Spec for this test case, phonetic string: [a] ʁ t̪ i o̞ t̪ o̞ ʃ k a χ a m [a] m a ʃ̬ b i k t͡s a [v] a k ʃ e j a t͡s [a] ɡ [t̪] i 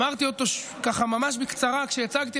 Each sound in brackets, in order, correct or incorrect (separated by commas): correct, correct, incorrect, correct, correct